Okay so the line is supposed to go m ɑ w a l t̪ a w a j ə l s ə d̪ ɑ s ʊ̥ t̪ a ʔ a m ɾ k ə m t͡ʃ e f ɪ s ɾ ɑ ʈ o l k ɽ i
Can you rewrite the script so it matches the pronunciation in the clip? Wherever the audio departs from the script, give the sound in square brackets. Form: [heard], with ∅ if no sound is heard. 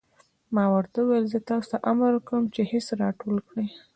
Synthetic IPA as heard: m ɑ w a [ɾ] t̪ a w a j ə l [z] ə [t̪] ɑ s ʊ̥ t̪ a ʔ a m ɾ k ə m t͡ʃ e [h] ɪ s ɾ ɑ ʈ o l k ɽ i